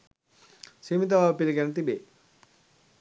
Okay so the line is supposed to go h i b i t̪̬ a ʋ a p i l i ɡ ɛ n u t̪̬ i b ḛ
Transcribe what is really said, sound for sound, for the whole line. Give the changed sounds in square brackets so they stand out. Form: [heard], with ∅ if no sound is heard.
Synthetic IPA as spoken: [s] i [m] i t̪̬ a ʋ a p i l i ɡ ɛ n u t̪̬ i b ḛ